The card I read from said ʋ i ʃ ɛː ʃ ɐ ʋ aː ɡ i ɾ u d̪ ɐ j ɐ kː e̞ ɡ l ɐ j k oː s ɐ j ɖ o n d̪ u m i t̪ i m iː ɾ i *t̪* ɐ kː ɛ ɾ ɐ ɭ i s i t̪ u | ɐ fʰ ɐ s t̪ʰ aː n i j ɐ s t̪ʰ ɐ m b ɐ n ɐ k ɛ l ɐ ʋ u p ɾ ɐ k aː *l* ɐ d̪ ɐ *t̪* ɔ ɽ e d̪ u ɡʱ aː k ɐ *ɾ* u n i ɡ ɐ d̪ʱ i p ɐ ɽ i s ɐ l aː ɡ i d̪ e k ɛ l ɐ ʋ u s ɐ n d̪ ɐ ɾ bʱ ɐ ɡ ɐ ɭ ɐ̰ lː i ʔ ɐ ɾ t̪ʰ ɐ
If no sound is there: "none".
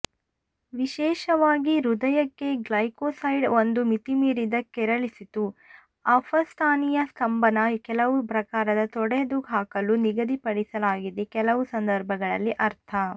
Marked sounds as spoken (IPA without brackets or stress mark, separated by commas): d̪, ɾ, t̪, l